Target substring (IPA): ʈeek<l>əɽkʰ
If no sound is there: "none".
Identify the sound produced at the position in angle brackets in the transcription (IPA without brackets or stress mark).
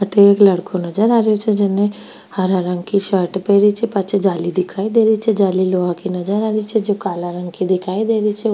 l